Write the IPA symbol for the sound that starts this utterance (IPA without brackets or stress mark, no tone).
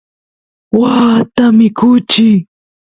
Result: w